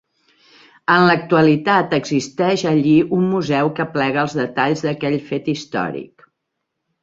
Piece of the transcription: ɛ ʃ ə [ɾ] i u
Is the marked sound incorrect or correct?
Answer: incorrect